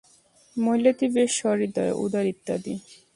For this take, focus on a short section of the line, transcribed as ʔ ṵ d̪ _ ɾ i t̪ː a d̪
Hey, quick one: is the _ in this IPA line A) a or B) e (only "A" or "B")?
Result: A